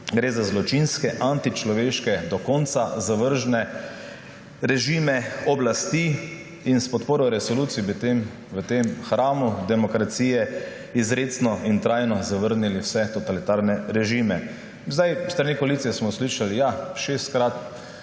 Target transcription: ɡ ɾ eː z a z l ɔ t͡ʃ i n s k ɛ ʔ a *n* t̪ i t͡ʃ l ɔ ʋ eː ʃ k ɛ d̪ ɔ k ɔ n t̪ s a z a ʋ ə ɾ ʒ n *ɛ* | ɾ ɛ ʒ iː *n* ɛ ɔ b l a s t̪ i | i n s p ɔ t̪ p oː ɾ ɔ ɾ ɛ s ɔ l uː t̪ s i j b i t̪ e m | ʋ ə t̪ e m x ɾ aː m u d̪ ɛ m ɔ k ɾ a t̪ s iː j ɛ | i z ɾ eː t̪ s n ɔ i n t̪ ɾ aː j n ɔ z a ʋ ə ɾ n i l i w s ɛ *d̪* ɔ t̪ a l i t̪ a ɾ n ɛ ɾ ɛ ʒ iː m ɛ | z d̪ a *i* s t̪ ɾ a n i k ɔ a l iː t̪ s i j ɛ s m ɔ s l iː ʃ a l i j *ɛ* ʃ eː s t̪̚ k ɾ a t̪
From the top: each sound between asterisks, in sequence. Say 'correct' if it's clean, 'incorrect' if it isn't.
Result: correct, correct, incorrect: m, incorrect: t̪, incorrect: j, incorrect: a

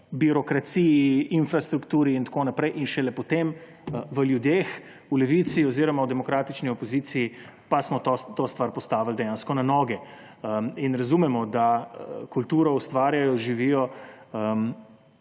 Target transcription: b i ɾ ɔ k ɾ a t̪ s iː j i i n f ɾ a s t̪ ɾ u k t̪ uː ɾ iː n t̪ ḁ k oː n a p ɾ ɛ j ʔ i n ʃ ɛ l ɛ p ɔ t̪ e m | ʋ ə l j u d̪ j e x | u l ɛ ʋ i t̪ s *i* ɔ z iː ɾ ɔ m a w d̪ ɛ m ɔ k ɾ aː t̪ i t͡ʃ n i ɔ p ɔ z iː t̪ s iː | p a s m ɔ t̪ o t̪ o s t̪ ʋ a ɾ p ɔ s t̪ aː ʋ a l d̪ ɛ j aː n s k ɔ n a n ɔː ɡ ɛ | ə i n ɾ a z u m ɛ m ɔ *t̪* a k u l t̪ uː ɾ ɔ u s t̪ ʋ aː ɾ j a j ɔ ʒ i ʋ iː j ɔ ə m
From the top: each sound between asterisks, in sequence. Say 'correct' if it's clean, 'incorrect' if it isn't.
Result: correct, incorrect: d̪

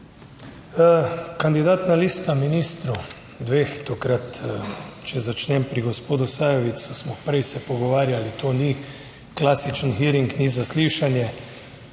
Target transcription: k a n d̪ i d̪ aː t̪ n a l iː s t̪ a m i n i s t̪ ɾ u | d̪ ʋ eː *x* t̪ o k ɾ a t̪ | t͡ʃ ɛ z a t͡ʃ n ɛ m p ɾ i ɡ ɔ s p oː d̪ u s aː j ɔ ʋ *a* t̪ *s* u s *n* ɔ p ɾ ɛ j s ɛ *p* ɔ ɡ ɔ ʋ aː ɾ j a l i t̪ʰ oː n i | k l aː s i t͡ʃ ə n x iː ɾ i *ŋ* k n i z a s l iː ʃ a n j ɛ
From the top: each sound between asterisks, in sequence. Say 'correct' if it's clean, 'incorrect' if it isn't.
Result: correct, incorrect: i, correct, incorrect: m, correct, correct

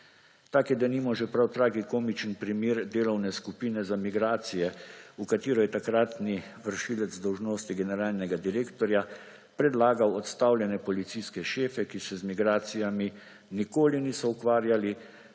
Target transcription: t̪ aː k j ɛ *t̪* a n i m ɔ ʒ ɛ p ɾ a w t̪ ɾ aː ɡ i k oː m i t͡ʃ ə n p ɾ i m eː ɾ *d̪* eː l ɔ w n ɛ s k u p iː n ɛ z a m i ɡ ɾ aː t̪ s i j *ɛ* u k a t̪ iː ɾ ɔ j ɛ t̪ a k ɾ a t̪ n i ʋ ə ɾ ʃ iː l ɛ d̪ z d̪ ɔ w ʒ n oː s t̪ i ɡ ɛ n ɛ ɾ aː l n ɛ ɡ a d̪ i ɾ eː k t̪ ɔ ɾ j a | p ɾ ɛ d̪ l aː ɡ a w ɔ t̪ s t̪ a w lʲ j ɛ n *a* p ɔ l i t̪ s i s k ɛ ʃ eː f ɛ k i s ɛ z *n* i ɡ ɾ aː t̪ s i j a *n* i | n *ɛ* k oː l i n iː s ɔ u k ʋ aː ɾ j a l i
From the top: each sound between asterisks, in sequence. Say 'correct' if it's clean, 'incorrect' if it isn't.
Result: incorrect: d̪, correct, correct, incorrect: ɛ, incorrect: m, incorrect: m, incorrect: i

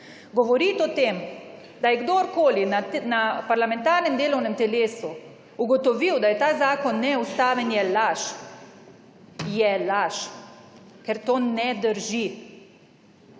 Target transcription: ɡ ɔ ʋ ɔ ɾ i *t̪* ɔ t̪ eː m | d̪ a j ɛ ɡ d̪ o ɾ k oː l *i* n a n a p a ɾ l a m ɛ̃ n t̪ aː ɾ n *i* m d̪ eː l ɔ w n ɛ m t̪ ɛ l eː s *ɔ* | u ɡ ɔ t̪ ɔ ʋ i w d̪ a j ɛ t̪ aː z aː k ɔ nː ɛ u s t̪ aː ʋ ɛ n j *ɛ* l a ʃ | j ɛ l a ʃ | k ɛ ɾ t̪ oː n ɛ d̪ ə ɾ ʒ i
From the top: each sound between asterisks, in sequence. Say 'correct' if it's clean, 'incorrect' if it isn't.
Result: correct, correct, incorrect: ɛ, incorrect: u, correct

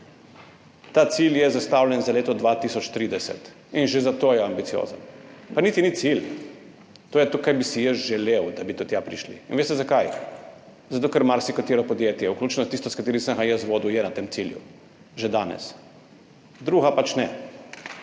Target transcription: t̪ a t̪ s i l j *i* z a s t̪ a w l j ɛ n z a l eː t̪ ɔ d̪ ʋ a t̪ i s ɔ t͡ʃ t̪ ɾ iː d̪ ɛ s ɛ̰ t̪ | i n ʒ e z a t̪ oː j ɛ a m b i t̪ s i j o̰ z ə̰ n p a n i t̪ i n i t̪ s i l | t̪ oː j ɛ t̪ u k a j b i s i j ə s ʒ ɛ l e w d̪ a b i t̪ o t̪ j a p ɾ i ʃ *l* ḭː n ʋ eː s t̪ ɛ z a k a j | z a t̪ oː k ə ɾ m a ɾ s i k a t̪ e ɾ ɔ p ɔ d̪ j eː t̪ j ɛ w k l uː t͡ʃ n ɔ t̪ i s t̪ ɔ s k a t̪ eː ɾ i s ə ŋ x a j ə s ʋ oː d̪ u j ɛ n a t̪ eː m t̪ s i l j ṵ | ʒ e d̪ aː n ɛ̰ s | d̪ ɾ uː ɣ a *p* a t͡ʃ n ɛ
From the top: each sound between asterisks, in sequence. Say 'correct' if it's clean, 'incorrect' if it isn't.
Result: incorrect: ɛ, correct, correct

